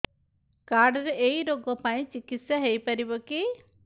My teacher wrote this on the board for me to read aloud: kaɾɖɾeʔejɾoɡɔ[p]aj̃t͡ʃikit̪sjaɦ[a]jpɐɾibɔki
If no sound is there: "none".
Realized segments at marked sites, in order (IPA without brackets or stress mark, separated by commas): p, e